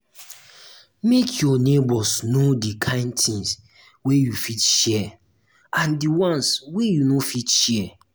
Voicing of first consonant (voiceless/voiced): voiced